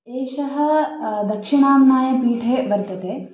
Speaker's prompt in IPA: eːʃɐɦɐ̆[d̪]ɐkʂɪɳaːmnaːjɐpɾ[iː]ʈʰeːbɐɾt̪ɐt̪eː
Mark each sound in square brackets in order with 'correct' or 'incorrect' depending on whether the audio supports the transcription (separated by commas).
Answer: correct, correct